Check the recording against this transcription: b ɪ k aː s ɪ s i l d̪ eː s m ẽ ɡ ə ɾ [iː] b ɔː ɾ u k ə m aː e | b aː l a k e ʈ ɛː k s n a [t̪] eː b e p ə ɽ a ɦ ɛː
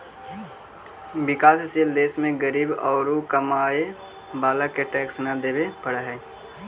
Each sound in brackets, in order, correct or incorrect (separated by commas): correct, incorrect